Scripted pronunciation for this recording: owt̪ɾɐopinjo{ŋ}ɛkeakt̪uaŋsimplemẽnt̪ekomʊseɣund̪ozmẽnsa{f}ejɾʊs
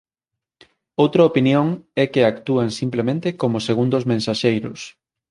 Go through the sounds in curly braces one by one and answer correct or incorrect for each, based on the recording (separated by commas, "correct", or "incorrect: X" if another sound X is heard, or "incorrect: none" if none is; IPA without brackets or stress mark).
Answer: correct, incorrect: ʃ